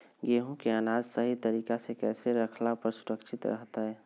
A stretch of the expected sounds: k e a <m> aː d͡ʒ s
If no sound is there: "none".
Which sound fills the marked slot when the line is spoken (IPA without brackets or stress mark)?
n